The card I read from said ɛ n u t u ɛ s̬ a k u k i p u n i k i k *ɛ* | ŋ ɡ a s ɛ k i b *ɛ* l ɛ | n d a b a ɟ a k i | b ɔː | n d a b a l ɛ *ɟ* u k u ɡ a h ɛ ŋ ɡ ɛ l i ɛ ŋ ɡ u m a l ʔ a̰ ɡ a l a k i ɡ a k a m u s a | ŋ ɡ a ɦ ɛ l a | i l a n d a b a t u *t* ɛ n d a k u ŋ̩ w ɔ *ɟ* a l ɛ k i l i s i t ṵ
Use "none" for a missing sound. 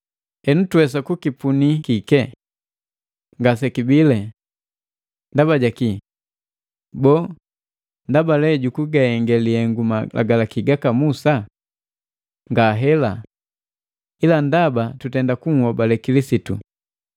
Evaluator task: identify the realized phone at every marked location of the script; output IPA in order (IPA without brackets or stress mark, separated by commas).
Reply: ɛ, i, ɟ, t, b